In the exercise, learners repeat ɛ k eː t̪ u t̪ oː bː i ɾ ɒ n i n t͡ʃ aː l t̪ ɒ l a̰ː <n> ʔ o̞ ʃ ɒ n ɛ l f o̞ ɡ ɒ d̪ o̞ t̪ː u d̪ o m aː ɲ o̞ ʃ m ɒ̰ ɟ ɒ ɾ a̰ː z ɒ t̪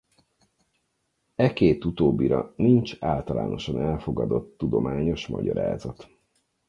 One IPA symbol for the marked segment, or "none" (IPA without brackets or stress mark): n